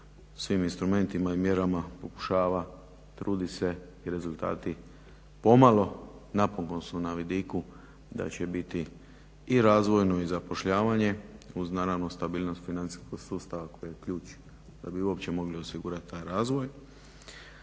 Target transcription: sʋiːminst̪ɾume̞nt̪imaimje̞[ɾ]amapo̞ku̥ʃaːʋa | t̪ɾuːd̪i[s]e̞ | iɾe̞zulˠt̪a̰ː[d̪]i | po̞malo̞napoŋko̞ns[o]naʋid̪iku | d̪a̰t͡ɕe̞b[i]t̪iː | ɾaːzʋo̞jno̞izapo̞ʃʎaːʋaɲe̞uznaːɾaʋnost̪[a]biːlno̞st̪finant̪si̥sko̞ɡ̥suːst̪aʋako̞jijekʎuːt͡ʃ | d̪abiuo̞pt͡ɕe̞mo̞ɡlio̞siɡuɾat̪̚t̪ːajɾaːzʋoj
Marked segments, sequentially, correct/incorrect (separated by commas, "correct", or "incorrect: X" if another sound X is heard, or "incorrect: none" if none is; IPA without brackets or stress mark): correct, correct, incorrect: t̪, incorrect: u, correct, correct